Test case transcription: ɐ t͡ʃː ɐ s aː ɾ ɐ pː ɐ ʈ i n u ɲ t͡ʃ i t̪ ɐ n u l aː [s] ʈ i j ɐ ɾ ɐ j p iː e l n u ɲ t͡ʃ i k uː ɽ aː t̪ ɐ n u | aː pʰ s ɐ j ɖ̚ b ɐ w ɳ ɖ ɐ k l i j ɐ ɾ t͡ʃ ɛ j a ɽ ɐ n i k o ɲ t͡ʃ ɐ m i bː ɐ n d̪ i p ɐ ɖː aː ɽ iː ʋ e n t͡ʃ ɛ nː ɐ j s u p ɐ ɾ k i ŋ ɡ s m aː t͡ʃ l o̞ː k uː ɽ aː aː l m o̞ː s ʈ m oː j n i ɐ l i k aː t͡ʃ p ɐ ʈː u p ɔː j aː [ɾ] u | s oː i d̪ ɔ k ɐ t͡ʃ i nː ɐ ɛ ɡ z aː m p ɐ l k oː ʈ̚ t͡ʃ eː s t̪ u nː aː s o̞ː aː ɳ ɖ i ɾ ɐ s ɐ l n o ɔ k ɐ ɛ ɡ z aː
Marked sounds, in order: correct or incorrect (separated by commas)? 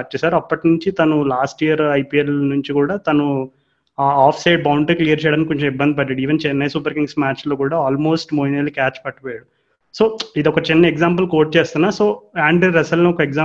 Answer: correct, incorrect